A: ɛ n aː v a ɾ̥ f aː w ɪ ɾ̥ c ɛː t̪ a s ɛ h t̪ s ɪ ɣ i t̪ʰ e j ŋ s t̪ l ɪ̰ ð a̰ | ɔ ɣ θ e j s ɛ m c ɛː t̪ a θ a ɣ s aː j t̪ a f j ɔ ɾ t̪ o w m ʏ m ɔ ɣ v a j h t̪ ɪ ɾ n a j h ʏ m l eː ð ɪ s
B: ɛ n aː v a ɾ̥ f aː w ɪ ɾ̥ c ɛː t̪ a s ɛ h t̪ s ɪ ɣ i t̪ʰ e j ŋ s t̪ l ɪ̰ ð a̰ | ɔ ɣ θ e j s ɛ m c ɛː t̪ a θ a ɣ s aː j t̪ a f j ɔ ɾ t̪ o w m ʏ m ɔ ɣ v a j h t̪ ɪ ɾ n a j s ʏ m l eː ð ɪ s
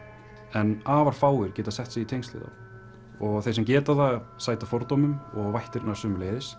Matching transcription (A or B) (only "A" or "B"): B